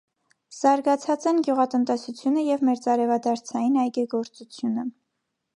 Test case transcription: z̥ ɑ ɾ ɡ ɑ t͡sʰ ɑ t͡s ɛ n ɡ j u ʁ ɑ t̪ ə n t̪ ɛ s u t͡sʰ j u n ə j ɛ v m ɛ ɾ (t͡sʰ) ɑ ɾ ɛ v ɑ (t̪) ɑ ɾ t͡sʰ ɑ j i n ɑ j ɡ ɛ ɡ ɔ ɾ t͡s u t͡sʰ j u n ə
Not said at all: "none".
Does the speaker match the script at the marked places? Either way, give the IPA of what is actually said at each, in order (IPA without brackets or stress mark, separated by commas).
t͡s, d̪